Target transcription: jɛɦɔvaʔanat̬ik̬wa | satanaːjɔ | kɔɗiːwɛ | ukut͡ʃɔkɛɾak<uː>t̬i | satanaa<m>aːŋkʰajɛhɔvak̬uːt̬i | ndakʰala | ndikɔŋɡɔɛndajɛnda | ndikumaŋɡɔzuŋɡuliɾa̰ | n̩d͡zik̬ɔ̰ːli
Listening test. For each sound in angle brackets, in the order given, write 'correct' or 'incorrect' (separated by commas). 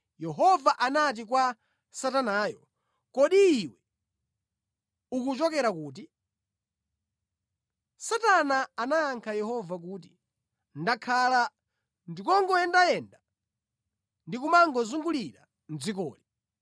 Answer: correct, incorrect